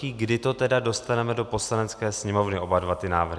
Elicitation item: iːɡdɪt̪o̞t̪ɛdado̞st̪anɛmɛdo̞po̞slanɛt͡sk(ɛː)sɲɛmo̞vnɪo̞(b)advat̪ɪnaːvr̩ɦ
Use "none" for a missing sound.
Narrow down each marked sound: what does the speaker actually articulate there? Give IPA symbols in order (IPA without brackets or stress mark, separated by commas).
ɛː, b